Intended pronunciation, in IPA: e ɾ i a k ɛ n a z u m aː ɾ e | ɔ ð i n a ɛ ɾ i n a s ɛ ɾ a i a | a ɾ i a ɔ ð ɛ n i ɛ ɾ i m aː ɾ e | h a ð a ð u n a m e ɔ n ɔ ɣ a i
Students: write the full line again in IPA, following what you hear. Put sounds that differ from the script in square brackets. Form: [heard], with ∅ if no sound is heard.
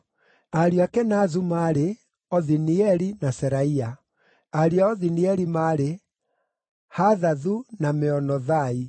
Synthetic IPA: [a] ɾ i a k ɛ n a z u m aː ɾ e | ɔ ð i n [i] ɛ ɾ i n a s ɛ ɾ a i a | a ɾ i a ɔ ð [i] n i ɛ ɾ i m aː ɾ e | h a ð a ð u n a m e ɔ n ɔ [ð] a i